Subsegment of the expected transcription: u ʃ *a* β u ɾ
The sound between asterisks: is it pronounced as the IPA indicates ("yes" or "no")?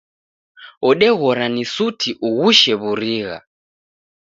no